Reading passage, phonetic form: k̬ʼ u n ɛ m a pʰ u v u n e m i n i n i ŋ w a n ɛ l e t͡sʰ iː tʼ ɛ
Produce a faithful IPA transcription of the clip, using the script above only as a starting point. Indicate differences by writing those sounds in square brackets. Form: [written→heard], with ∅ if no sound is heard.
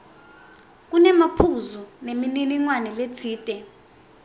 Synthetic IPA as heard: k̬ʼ u n ɛ m a pʰ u [v→z] u n e m i n i n i ŋ w a n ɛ l e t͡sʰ iː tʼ ɛ